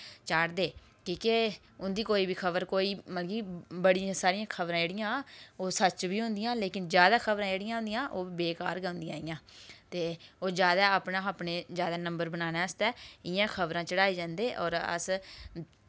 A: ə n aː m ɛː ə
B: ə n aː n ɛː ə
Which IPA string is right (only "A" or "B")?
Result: B